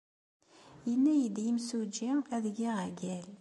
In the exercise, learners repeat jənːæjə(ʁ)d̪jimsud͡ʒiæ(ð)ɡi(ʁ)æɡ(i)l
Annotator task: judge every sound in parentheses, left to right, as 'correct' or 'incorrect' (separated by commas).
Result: incorrect, correct, correct, incorrect